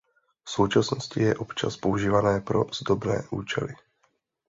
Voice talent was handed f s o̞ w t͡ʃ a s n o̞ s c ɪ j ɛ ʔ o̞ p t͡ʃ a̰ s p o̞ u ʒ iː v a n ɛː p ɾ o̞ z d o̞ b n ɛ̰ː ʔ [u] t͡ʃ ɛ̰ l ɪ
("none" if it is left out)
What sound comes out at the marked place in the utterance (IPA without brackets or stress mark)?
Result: uː